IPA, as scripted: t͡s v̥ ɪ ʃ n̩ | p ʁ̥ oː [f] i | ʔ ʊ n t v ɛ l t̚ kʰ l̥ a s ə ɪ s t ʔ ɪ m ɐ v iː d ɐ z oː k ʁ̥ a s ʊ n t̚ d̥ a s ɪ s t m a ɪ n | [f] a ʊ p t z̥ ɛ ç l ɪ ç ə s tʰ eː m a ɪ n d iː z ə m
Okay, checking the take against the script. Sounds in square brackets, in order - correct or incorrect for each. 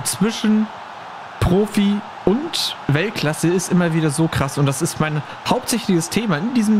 correct, incorrect: h

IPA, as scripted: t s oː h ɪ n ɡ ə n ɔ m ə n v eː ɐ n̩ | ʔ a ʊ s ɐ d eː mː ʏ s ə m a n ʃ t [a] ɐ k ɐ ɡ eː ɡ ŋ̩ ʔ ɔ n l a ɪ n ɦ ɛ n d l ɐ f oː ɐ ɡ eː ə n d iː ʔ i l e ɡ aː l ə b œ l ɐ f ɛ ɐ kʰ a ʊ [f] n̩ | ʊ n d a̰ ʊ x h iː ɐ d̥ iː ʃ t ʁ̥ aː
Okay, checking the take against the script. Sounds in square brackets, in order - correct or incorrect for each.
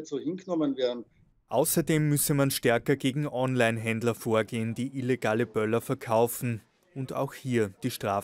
incorrect: ɛ, correct

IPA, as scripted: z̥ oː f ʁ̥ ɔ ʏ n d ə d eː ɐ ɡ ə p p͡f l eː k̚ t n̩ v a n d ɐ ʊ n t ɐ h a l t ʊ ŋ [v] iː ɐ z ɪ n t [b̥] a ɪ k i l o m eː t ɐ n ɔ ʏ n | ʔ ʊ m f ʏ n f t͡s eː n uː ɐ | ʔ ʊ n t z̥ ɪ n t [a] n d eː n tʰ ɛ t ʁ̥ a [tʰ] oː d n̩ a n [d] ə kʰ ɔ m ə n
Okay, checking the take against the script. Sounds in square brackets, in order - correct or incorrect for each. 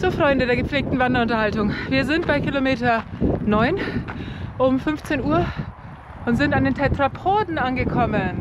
correct, correct, correct, incorrect: pʰ, incorrect: ɡ

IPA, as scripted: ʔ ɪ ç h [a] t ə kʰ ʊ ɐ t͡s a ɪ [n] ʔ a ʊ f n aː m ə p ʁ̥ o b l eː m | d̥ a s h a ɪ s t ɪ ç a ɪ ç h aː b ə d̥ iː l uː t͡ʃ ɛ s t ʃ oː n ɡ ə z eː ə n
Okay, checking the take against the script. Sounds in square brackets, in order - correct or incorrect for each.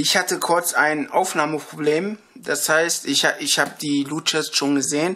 correct, correct

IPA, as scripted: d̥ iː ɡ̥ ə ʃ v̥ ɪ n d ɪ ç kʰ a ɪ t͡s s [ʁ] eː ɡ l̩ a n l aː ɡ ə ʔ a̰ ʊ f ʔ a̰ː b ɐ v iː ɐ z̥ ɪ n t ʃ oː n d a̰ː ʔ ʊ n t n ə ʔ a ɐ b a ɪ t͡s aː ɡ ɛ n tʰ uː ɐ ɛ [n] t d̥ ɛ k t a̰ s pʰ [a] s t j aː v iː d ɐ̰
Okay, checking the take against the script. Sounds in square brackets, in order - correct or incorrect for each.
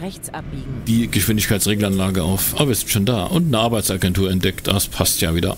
correct, correct, correct

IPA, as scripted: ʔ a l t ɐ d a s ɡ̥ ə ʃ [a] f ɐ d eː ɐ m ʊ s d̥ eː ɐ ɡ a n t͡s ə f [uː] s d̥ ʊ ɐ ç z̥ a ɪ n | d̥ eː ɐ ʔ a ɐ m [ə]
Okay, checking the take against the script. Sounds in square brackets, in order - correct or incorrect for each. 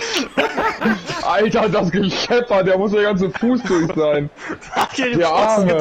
incorrect: ɛ, correct, correct

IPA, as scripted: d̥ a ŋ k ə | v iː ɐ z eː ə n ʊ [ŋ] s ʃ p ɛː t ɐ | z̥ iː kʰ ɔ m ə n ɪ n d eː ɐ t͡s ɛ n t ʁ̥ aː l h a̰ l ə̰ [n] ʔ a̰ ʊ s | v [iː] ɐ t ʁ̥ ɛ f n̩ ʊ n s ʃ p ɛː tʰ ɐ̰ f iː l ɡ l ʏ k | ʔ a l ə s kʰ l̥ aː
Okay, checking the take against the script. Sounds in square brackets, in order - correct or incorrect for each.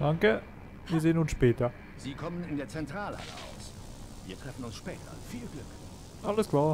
incorrect: n, incorrect: none, correct

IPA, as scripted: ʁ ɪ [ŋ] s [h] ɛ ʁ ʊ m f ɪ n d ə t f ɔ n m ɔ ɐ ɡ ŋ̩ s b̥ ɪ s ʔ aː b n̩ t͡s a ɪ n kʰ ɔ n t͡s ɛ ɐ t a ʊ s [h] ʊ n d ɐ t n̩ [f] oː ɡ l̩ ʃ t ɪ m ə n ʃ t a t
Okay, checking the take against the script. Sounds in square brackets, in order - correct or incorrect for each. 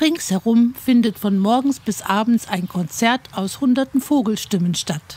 correct, correct, correct, correct

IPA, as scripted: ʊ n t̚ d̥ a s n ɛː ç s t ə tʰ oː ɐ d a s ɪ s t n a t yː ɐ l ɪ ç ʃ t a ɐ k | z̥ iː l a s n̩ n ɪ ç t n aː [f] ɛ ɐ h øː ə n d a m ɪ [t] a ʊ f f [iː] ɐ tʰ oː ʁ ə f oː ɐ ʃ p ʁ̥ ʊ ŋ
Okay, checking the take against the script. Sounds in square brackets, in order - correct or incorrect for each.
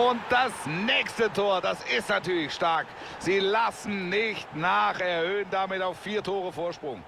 incorrect: χ, correct, correct

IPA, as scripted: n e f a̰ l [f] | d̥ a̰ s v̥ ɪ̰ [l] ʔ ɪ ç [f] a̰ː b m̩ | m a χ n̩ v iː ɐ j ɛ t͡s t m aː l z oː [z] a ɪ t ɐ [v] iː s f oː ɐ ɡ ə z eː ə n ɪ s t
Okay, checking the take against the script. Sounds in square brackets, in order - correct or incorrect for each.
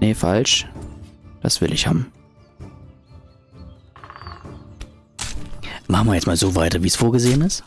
incorrect: ʃ, correct, incorrect: h, incorrect: v, correct

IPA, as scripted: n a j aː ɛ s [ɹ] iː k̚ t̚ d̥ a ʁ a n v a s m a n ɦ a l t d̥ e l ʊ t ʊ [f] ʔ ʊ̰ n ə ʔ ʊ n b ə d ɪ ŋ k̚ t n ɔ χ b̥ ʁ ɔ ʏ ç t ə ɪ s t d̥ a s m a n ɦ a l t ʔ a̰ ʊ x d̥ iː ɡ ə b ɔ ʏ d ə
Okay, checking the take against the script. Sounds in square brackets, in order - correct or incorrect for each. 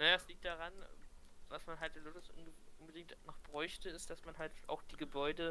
incorrect: l, incorrect: s

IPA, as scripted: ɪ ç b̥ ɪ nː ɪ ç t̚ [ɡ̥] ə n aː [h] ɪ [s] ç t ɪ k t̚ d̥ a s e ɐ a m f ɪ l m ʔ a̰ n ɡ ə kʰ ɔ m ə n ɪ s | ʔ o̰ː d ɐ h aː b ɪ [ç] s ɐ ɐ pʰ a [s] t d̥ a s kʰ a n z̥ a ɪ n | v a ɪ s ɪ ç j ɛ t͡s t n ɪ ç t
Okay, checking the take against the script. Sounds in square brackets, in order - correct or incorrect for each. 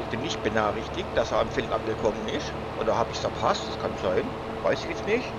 incorrect: b̥, incorrect: χ, incorrect: none, correct, correct

